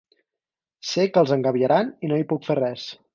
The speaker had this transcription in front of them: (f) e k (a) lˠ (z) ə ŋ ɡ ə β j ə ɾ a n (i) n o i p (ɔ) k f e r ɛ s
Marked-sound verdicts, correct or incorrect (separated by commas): incorrect, incorrect, correct, correct, incorrect